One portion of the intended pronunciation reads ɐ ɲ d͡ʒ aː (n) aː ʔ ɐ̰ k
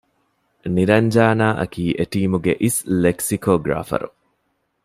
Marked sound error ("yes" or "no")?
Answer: no